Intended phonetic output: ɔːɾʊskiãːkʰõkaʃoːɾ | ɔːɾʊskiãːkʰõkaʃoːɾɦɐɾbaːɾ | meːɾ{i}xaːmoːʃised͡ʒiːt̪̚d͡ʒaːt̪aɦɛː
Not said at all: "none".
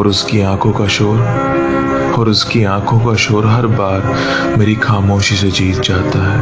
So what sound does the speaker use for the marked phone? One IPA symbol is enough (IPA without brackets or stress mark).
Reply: i